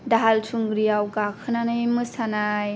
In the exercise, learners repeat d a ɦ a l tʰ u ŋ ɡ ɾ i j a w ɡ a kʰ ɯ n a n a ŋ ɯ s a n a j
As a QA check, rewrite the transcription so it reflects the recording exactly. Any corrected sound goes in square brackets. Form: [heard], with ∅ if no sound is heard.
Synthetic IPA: d a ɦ a l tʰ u ŋ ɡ ɾ i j a w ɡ a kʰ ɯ n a n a [m] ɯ s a n a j